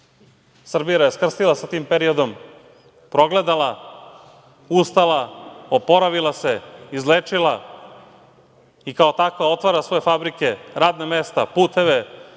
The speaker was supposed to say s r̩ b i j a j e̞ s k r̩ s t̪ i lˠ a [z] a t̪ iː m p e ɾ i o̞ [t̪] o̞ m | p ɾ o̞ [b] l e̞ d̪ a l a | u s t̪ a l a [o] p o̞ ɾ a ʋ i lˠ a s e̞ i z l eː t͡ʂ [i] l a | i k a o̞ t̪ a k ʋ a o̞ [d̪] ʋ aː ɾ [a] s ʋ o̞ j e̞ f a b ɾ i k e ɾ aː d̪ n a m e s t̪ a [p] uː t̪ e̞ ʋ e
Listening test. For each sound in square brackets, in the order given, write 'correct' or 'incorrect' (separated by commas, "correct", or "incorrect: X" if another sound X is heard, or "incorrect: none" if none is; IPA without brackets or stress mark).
incorrect: s, incorrect: d̪, incorrect: ɡ, correct, correct, incorrect: t̪, correct, correct